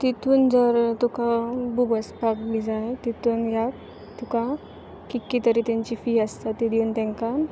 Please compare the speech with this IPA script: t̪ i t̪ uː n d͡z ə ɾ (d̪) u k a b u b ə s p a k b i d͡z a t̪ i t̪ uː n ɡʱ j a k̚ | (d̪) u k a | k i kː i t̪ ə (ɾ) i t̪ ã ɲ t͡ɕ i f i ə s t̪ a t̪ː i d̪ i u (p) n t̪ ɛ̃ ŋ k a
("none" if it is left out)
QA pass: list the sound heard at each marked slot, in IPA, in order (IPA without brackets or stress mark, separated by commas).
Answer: t̪, t̪, ɾ, none